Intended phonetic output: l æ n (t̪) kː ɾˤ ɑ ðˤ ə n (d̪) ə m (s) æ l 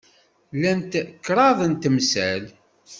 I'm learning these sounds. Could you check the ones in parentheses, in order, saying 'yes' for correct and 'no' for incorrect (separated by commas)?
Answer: yes, no, yes